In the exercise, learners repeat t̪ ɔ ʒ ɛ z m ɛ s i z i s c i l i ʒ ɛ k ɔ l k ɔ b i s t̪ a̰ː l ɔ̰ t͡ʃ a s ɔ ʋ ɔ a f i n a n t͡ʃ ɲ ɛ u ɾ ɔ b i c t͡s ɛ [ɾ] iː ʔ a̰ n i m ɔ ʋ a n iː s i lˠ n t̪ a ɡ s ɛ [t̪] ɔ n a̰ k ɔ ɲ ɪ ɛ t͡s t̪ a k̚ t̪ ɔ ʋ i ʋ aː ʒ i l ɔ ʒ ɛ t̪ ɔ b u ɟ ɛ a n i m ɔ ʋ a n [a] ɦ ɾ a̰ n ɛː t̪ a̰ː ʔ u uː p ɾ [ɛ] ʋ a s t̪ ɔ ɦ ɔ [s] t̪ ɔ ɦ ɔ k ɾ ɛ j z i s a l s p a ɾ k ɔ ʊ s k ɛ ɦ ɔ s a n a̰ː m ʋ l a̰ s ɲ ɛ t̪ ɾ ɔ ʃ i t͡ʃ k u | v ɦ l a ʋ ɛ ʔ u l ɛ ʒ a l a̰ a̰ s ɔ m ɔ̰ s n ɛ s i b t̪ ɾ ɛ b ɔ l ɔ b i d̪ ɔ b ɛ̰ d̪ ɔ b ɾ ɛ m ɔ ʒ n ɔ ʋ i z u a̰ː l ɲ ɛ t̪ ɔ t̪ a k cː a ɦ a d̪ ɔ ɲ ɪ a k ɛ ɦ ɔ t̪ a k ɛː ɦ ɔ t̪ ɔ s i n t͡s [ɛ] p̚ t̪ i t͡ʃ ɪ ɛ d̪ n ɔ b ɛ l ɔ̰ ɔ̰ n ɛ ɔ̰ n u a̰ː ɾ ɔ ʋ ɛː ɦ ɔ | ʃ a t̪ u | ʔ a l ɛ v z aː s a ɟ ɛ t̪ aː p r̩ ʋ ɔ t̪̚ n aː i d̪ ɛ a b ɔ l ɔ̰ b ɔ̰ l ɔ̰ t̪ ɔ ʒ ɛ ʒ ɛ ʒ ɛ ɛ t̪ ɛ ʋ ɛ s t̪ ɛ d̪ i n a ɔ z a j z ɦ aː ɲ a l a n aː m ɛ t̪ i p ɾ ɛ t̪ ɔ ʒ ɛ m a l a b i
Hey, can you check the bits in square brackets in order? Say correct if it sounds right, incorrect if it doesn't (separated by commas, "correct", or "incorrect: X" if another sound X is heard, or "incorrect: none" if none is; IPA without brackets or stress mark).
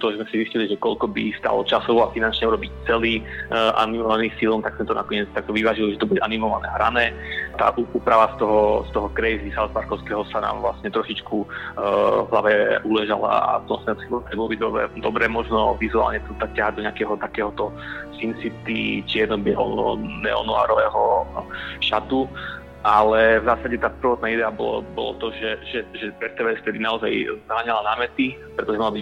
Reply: incorrect: l, correct, incorrect: ɛ, incorrect: a, correct, incorrect: i